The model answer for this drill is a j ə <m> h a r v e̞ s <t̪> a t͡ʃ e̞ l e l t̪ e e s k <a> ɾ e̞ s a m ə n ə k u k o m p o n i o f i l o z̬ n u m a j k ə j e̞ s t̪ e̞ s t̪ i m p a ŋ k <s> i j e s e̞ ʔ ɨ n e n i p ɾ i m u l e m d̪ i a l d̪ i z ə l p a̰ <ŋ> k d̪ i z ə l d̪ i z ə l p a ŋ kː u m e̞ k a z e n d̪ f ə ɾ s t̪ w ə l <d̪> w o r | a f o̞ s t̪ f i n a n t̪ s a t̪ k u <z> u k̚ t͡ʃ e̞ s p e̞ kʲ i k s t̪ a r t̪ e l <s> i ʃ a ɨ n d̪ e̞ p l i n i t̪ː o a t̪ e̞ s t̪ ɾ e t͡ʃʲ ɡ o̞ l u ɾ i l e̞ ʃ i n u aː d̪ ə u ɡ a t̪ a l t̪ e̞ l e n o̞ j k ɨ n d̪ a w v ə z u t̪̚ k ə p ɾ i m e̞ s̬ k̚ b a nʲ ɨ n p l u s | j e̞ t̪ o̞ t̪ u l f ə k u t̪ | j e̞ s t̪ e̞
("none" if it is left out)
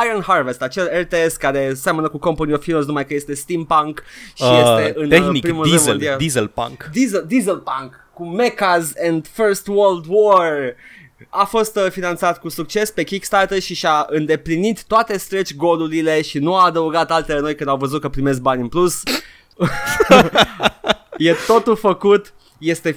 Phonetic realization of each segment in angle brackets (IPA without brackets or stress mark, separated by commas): n, t̪, a, ʃ, ŋ, d̪, s, ʃ